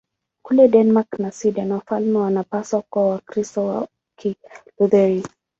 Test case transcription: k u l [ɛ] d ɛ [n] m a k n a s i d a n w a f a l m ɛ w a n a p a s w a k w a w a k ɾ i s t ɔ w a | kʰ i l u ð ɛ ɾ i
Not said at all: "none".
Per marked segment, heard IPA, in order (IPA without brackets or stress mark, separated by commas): ɛ, n